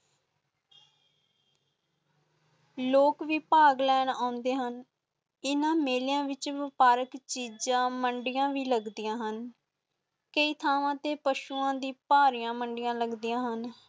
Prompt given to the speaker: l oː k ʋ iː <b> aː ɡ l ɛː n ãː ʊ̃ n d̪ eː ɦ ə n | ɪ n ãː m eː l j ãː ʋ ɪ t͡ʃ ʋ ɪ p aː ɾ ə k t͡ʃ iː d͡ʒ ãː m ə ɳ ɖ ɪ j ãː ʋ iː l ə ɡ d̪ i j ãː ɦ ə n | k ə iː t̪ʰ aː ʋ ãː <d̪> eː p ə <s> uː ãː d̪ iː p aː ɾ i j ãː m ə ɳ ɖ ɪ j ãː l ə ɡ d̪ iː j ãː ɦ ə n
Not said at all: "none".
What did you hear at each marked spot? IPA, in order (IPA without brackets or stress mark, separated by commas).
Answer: p, t̪, ʃ